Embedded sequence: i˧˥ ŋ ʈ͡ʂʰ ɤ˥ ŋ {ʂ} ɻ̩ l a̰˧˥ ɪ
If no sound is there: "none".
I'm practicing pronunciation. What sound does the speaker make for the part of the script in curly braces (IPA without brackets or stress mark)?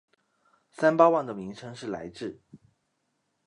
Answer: ʂ